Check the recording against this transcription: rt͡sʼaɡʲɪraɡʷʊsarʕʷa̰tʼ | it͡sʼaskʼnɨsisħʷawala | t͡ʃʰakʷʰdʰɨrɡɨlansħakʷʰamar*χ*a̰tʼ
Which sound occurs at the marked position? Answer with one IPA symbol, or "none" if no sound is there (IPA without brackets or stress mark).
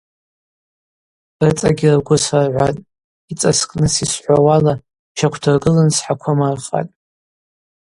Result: χ